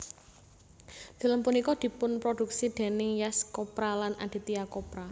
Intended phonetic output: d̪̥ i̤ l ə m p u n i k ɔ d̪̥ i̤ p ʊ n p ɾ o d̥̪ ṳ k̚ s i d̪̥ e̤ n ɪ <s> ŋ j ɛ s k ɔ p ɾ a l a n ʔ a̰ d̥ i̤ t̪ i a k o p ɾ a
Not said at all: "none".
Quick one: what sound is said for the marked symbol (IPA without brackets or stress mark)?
none